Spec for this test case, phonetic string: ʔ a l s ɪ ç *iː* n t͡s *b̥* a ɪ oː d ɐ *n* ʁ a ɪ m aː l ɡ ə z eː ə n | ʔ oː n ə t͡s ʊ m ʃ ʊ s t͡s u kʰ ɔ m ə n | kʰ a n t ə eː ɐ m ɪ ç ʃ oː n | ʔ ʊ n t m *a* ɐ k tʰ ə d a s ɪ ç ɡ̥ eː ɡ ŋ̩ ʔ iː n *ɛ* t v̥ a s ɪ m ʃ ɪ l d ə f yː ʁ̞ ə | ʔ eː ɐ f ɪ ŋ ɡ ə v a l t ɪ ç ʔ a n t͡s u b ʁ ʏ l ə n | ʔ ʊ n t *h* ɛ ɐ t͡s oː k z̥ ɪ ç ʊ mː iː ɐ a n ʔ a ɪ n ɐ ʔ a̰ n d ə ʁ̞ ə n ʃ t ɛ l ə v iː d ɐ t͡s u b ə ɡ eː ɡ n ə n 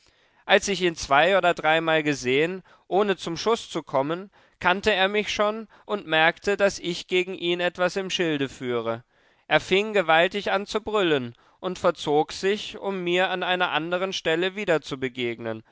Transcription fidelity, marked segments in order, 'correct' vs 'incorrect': correct, incorrect, incorrect, incorrect, correct, incorrect

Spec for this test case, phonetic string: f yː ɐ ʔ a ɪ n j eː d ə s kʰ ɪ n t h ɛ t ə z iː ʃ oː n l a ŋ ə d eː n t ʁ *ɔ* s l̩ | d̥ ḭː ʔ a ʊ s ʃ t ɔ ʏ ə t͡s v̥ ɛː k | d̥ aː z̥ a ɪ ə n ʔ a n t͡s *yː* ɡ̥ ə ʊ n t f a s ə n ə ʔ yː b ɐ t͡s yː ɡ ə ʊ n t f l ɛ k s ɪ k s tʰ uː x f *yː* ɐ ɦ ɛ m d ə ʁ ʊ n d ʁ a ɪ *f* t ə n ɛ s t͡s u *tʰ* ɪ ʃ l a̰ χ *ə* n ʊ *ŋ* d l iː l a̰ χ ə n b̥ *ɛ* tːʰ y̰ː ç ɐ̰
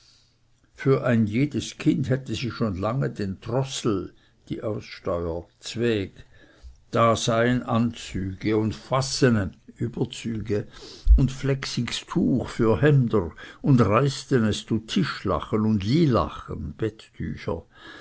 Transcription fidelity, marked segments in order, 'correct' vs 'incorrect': correct, correct, correct, incorrect, correct, correct, incorrect, correct

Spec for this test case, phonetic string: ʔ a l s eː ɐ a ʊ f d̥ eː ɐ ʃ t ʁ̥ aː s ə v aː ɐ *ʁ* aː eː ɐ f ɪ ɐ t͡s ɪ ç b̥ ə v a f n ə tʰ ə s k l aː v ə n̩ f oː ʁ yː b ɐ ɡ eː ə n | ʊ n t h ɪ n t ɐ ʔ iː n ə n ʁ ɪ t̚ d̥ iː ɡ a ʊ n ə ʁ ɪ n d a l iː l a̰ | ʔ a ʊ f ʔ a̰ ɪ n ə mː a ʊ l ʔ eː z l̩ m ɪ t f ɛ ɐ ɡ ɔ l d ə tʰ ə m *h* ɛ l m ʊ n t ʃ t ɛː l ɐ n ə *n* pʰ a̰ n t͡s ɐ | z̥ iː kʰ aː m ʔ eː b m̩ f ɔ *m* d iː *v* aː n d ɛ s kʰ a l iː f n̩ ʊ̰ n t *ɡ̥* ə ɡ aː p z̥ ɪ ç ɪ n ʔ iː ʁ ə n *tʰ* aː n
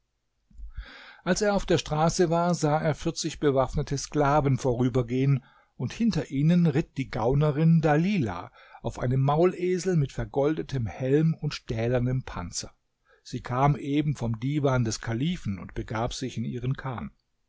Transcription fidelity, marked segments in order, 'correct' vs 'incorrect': incorrect, correct, incorrect, correct, correct, incorrect, incorrect

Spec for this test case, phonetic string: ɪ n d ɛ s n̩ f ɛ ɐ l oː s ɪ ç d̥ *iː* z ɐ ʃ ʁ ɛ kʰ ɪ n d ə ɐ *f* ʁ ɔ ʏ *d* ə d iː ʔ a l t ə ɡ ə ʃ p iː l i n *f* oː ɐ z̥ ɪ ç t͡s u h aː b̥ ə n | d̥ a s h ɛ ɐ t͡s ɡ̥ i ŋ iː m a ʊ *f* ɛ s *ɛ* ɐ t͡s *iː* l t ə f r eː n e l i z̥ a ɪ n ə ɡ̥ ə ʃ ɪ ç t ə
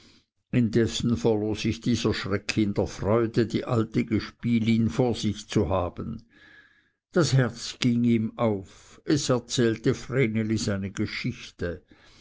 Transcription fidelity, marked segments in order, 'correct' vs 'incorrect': correct, correct, correct, correct, correct, correct, incorrect

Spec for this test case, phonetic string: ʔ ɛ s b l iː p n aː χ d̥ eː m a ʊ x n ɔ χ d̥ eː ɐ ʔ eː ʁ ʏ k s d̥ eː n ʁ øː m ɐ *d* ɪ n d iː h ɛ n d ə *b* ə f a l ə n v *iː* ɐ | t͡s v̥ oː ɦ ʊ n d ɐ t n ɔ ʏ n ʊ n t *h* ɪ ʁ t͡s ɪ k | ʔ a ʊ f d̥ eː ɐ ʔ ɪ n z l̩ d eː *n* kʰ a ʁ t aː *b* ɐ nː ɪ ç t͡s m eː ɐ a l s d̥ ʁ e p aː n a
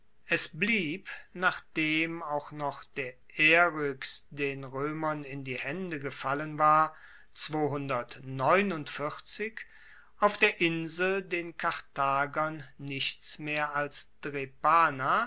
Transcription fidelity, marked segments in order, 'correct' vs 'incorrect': incorrect, incorrect, incorrect, incorrect, correct, incorrect

